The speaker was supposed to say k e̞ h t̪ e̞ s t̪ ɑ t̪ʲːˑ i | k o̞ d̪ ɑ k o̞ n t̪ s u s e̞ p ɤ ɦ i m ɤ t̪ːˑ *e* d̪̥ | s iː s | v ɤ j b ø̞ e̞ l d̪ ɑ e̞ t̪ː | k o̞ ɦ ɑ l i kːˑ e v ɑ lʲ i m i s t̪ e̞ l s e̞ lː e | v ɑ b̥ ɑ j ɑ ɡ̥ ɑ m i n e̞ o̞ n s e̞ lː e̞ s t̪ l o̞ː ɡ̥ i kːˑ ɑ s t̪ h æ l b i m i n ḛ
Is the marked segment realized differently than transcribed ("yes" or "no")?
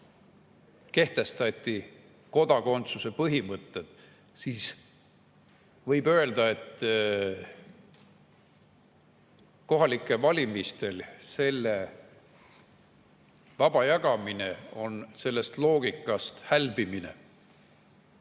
no